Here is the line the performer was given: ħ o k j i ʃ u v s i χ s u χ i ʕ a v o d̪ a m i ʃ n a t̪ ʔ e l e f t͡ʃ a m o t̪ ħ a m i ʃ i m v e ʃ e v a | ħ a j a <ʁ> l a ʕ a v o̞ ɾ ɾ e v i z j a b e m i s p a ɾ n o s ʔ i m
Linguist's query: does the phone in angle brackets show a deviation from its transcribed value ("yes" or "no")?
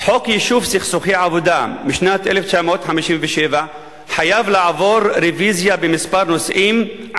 yes